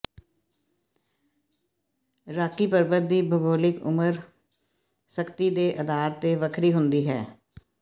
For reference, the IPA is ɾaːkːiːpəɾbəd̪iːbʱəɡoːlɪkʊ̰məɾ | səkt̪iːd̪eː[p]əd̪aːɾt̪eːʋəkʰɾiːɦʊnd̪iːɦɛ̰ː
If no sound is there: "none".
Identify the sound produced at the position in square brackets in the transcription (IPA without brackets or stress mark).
ʔ